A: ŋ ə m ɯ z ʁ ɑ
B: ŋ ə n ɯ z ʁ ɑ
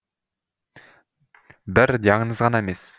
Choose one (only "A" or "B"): B